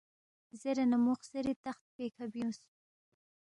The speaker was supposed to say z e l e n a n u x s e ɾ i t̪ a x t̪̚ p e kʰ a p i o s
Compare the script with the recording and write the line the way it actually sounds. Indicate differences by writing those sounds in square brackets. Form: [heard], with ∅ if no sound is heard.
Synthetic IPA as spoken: z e [ɾ] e n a [m] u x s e ɾ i t̪ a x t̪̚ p e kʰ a [b] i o s